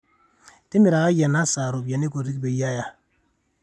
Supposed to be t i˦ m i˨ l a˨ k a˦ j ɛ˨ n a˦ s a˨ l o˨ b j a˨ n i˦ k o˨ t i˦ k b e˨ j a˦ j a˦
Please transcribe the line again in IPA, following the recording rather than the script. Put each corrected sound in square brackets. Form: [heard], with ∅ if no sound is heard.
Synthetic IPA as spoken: t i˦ m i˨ [ɾ] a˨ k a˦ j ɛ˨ n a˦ s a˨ [ɾ] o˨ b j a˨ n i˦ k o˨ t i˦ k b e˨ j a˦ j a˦